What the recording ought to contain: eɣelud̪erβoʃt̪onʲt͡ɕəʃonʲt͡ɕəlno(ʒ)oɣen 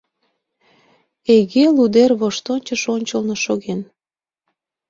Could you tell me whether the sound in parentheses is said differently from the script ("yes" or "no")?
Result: yes